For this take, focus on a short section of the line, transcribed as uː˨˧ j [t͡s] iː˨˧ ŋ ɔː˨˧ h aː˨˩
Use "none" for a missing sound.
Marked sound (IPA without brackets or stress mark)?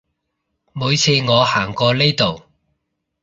t͡sʰ